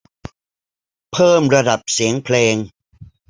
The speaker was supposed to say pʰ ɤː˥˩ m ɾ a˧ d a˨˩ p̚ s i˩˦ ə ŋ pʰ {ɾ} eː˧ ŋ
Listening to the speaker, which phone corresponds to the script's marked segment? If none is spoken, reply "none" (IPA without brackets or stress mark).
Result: l